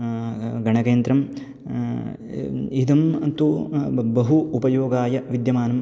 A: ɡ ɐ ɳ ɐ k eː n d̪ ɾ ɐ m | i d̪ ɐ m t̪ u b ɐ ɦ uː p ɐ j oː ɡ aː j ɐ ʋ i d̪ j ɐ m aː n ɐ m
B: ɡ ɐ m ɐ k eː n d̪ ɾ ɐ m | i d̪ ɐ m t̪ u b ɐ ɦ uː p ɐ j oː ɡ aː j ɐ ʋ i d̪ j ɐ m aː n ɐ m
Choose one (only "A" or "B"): A